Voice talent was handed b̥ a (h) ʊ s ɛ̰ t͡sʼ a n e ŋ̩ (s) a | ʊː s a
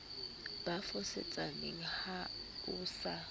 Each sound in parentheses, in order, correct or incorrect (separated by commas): incorrect, incorrect